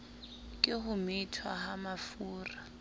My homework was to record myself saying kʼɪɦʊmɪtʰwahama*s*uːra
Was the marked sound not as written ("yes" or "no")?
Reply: yes